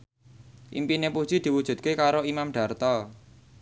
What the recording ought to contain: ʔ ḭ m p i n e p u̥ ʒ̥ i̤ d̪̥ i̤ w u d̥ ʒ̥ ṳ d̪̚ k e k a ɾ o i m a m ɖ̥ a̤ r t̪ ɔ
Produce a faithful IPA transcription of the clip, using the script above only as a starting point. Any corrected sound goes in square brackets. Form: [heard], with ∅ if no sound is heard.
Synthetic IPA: ʔ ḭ m p i n e p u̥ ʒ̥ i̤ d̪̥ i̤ w u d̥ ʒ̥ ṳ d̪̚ k e k a ɾ o i m a m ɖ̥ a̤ r t̪ ɔ